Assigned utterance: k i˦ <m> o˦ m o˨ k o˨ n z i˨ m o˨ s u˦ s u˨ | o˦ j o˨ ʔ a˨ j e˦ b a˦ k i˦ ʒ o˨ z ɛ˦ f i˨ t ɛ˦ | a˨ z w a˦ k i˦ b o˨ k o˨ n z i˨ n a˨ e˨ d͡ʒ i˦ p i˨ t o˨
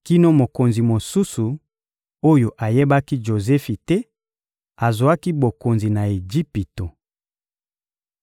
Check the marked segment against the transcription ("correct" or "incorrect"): incorrect